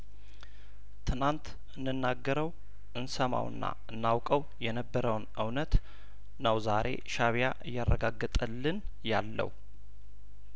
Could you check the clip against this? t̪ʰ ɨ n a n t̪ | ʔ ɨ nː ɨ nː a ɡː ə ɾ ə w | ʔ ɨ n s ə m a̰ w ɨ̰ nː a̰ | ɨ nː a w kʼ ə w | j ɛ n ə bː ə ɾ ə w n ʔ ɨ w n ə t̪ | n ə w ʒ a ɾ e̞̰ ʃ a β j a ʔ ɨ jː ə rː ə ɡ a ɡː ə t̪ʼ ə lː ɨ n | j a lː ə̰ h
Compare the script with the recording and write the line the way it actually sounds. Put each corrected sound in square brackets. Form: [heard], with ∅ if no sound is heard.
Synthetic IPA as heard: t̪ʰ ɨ n a n t̪ | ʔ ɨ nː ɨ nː a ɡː ə ɾ ə w | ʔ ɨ n s ə m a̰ w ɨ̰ nː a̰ | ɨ nː a w kʼ ə w | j ɛ n ə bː ə ɾ ə w n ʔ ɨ w n ə t̪ | n ə w [z] a ɾ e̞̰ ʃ a β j a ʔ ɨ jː [a] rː ə ɡ a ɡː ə t̪ʼ ə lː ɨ n | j a lː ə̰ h